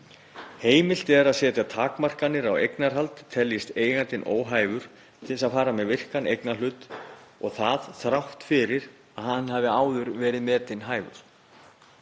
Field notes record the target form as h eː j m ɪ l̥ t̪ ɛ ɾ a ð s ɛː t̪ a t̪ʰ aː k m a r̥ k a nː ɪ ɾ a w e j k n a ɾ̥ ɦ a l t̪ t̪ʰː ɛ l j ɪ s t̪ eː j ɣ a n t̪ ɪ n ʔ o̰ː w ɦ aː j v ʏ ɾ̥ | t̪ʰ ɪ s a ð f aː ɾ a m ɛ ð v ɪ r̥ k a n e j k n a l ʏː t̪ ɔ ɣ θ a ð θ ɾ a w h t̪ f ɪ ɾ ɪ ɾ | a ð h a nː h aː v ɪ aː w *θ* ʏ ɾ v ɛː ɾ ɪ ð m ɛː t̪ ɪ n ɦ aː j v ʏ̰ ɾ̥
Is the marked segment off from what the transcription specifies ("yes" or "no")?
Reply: yes